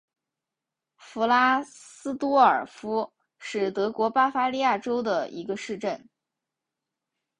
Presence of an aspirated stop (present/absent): absent